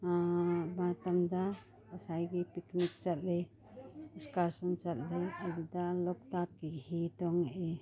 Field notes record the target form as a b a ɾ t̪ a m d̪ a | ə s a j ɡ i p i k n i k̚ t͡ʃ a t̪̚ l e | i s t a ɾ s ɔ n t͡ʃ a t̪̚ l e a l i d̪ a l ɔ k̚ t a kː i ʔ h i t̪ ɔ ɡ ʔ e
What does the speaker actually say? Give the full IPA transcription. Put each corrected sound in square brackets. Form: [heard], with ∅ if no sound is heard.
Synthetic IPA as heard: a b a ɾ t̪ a m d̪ a | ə s a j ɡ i p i k n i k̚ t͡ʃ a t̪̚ l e | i s [k] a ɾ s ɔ n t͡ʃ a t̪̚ l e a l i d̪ a l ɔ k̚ t a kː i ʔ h i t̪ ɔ [ŋ] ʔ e